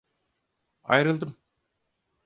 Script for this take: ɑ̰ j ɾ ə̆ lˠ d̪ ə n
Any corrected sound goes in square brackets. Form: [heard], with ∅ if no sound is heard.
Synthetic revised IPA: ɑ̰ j ɾ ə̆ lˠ d̪ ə [m]